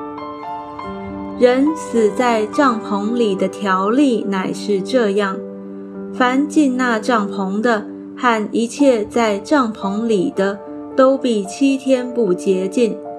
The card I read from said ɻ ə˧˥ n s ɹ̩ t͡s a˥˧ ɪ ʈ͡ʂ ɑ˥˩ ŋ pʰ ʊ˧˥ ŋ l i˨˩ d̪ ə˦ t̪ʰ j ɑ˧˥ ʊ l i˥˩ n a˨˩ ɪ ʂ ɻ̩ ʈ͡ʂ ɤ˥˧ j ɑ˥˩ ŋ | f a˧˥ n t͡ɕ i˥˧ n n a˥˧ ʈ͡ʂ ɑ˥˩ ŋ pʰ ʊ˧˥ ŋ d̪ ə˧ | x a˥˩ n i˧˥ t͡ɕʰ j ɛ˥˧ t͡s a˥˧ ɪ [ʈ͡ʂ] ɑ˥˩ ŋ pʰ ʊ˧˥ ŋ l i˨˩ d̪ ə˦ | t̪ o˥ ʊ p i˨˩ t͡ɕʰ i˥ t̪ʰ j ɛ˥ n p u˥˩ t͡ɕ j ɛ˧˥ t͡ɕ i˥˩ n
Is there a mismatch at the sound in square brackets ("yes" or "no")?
no